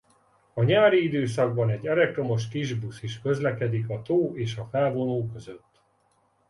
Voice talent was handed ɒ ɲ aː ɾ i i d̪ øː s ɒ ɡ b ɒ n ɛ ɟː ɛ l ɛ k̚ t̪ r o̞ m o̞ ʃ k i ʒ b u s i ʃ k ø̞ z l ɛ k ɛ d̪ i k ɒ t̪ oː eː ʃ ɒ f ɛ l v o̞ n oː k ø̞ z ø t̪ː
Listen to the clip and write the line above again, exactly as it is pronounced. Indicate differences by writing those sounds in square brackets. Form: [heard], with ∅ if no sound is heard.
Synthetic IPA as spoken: ɒ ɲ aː ɾ i i d̪ øː s ɒ ɡ b ɒ n ɛ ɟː ɛ l ɛ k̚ t̪ r o̞ m o̞ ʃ k i ʒ b u s i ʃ k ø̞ z l ɛ k ɛ d̪ i k ɒ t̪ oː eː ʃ ɒ f ɛ l v o̞ n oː k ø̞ z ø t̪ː